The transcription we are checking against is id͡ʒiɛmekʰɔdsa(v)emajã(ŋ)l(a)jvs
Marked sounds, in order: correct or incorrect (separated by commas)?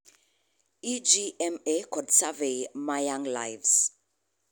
correct, correct, correct